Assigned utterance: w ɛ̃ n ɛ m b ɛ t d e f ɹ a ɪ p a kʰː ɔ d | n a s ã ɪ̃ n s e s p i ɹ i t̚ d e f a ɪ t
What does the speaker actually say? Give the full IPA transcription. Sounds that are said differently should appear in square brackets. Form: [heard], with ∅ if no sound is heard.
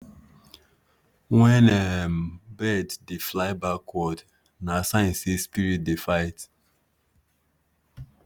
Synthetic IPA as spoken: w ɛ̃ n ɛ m b ɛ [d] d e f [l] a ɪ [b] a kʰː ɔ d | n a s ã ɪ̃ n s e s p i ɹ i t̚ d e f a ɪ t